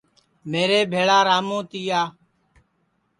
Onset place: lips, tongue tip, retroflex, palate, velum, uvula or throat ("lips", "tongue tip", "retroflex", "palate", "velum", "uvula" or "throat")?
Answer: lips